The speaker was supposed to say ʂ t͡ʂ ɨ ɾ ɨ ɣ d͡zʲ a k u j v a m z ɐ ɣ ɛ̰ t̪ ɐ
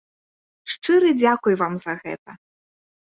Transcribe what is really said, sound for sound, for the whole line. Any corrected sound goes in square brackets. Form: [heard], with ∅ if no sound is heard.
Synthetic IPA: ʂ t͡ʂ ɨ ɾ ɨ [∅] d͡zʲ a k u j v a m z ɐ ɣ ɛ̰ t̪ ɐ